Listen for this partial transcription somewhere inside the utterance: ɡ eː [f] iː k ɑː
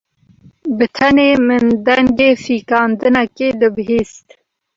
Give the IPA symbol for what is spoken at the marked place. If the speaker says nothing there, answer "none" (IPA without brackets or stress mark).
f